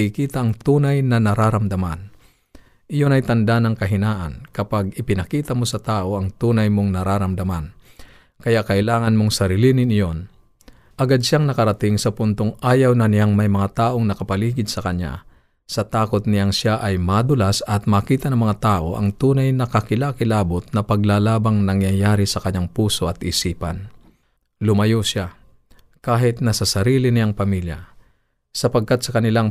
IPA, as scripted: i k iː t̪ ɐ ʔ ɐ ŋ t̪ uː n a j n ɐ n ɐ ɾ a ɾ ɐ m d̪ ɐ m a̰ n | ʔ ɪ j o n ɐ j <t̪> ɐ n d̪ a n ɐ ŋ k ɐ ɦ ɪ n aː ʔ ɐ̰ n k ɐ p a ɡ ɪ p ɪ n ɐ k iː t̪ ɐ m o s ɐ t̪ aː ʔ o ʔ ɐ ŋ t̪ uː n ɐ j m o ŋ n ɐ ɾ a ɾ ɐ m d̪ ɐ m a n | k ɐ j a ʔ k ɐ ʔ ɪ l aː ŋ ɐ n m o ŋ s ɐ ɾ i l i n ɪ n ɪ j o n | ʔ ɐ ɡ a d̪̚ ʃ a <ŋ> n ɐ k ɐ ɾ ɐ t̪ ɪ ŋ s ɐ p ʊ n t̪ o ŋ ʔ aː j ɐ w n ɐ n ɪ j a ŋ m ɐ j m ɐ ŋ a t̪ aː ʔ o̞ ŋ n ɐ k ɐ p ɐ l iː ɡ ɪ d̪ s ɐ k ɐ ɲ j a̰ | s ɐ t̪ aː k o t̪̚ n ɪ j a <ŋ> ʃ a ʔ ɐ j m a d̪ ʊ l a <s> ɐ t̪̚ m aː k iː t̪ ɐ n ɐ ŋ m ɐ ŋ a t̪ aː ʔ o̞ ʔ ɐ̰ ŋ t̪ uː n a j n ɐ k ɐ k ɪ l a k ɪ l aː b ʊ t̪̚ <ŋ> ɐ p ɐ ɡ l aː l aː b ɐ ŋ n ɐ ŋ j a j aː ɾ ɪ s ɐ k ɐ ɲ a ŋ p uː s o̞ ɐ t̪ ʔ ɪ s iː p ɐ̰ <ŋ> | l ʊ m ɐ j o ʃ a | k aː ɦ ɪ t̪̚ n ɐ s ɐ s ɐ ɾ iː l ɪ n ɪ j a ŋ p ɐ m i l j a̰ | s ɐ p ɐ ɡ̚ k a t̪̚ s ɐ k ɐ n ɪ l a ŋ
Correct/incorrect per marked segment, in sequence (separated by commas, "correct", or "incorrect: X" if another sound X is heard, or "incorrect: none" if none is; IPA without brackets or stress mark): correct, correct, correct, correct, incorrect: n, incorrect: n